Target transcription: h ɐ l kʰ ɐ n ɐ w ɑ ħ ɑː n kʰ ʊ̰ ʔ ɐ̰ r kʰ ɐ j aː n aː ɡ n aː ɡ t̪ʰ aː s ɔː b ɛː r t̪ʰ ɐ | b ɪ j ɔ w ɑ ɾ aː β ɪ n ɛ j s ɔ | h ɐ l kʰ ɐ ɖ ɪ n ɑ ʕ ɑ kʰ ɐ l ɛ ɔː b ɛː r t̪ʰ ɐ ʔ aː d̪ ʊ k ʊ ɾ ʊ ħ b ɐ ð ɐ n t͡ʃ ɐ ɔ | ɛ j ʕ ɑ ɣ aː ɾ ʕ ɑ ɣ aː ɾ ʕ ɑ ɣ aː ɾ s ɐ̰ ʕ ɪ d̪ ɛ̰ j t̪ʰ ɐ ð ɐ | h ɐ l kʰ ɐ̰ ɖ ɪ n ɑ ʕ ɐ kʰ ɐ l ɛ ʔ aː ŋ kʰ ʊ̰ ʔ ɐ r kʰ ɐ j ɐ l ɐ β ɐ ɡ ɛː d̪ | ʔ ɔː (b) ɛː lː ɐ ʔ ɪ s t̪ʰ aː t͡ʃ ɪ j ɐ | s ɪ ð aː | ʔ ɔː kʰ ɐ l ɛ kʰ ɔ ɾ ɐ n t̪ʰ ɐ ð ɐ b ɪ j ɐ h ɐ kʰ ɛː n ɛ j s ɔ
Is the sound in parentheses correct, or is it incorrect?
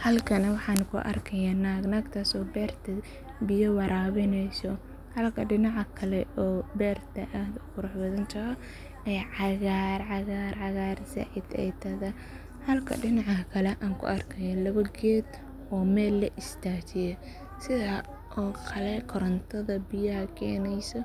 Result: incorrect